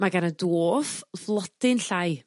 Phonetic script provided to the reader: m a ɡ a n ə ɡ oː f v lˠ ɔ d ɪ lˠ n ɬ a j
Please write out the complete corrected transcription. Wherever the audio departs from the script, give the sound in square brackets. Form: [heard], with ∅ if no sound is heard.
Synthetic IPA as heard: m a ɡ a n ə [d] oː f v lˠ ɔ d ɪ [∅] n ɬ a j